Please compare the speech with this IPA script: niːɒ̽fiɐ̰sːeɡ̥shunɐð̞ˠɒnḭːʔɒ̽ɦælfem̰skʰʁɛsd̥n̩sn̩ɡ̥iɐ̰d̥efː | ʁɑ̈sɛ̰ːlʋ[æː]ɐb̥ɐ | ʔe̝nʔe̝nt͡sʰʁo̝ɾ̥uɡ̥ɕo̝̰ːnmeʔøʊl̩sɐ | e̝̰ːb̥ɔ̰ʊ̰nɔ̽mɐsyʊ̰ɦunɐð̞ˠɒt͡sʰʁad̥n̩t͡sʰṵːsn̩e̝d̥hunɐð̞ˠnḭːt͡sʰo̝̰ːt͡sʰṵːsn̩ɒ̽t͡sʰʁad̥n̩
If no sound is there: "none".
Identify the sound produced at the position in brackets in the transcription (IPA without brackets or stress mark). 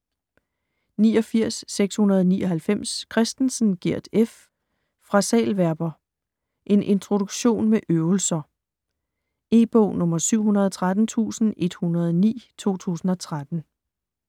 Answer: æ